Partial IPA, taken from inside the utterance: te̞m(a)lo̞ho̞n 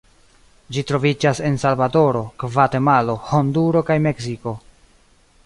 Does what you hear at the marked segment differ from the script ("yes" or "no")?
no